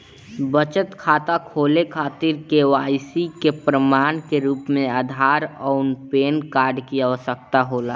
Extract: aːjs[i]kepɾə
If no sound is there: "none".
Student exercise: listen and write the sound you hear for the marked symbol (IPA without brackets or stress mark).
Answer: i